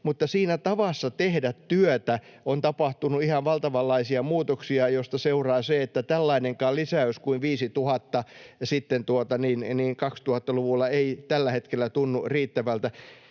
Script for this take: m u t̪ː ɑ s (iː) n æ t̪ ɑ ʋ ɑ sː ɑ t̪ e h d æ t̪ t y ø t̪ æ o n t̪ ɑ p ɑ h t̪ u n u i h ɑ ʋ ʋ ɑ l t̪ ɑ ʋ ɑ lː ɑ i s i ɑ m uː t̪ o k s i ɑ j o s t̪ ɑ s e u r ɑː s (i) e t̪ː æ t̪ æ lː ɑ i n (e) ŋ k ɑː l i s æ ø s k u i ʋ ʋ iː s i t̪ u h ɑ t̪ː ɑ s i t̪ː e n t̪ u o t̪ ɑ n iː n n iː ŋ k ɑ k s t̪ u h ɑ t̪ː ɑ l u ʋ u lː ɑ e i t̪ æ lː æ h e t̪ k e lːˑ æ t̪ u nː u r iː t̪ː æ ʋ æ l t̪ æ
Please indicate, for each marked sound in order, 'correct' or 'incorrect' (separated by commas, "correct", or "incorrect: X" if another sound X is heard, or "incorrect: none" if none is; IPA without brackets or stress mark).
correct, incorrect: e, correct